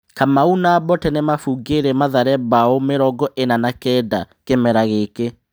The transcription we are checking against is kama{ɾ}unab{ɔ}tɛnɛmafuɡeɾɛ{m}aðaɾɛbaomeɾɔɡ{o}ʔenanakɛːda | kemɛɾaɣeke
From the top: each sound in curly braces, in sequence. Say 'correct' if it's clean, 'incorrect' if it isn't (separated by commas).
incorrect, correct, correct, incorrect